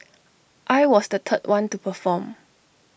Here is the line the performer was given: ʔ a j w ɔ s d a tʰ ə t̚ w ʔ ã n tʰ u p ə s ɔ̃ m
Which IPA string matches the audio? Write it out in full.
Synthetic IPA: ʔ a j w ɔ s d ə tʰ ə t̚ w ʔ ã n t u p ə f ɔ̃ m